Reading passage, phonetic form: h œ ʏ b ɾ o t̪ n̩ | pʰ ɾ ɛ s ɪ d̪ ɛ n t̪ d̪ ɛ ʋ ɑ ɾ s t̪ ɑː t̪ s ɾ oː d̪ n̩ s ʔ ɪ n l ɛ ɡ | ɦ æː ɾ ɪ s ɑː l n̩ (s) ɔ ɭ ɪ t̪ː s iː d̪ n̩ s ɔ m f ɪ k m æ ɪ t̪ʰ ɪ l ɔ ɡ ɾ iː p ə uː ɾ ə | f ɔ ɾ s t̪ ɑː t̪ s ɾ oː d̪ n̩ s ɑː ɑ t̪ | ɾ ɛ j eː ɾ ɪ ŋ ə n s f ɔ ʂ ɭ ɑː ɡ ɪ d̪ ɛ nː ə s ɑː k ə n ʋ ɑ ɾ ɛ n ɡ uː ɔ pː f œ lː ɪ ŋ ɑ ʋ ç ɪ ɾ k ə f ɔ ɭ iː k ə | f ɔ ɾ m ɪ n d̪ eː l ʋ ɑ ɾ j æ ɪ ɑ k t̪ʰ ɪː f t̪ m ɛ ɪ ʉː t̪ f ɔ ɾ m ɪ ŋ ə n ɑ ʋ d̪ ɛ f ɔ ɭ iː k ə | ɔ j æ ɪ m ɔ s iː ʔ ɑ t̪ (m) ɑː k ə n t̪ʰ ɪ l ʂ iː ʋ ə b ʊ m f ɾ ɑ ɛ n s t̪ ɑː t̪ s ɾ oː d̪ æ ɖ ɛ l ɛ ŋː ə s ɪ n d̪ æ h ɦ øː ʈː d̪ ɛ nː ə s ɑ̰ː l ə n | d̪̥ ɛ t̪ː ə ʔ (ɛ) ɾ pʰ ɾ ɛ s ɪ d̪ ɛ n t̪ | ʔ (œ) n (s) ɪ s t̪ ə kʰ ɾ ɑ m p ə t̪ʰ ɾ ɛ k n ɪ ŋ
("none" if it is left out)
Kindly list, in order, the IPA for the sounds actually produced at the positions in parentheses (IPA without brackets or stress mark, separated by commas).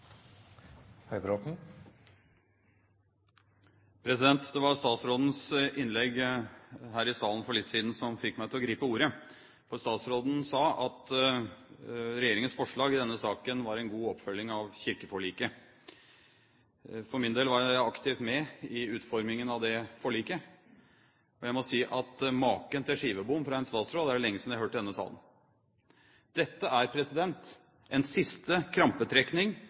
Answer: f, m, æ, ɛ, s